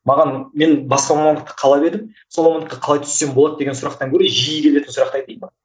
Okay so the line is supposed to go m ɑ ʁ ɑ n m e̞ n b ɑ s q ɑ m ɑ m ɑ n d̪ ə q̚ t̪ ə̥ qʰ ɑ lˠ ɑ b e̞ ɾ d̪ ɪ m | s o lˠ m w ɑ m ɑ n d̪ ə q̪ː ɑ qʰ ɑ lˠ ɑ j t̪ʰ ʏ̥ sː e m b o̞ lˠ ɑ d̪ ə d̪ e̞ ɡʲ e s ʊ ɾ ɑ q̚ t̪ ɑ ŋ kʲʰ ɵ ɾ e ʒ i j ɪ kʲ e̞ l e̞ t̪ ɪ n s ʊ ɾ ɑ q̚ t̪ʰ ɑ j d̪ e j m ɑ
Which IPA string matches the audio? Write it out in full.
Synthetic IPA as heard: m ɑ ʁ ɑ n m e̞ n b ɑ s q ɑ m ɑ m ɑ n d̪ ə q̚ t̪ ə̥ qʰ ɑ lˠ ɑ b e̞ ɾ d̪ ɪ m | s o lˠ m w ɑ m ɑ n d̪ ə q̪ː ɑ qʰ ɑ lˠ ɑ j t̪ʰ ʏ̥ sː e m b o̞ lˠ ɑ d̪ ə d̪ e̞ ɡʲ e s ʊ ɾ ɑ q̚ t̪ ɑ ŋ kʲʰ ɵ ɾ e ʒ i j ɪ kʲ e̞ l e̞ t̪ ɪ n s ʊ ɾ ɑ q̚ t̪ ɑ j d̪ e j m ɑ